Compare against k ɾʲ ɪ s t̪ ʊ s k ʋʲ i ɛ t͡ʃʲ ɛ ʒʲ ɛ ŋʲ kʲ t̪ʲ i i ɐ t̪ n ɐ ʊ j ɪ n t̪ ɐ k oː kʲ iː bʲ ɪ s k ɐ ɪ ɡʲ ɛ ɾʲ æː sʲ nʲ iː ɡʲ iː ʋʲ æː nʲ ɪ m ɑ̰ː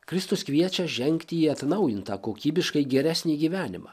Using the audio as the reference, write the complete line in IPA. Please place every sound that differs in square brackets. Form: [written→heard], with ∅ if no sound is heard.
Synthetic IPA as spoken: k ɾʲ ɪ s t̪ ʊ s k ʋʲ i ɛ t͡ʃʲ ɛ ʒʲ ɛ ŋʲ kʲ t̪ʲ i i ɐ t̪ n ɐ ʊ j ɪ n t̪ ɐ k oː kʲ iː bʲ ɪ [s→ʃ] k ɐ ɪ ɡʲ ɛ ɾʲ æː sʲ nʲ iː ɡʲ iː ʋʲ æː nʲ ɪ m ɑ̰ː